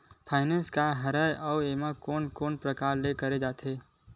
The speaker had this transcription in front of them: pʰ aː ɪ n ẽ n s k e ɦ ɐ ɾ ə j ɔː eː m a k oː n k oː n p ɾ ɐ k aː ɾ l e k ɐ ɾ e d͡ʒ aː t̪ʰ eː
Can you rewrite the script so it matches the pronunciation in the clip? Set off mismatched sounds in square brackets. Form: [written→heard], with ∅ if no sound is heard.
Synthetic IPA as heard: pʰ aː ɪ n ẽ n s k [e→a] ɦ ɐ ɾ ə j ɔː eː m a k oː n k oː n p ɾ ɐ k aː ɾ l e k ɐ ɾ e d͡ʒ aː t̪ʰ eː